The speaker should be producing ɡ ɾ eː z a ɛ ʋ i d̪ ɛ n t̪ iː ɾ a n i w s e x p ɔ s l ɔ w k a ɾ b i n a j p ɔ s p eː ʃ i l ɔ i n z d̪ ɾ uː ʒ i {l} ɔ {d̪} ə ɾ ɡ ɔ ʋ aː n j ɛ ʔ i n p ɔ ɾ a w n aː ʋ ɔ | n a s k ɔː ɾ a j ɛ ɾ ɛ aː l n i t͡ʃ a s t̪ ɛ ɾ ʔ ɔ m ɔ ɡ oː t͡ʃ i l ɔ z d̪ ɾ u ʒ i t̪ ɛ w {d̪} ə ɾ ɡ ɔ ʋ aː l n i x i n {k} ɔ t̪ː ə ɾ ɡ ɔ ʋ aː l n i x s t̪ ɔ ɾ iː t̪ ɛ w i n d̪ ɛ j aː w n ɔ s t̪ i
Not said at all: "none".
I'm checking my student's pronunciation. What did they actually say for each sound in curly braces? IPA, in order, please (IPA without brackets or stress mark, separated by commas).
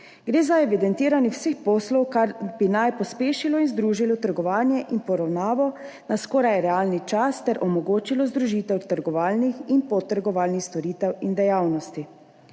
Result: l, t̪, t̪, p